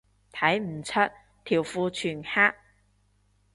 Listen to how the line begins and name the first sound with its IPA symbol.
t̪ʰ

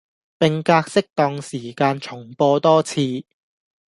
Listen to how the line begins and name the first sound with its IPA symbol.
p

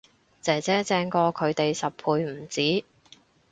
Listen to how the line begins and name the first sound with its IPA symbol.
t͡s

